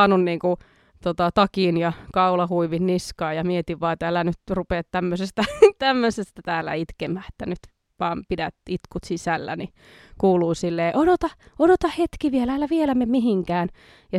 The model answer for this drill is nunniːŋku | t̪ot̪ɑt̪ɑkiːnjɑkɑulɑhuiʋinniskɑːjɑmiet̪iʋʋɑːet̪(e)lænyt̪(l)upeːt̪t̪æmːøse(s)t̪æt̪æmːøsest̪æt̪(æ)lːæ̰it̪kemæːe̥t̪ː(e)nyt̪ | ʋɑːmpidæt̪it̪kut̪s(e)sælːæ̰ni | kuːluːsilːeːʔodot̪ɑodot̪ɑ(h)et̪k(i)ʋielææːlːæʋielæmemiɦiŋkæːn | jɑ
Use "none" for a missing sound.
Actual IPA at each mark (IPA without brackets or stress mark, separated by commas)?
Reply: æ, r, s, æː, æ, i, h, i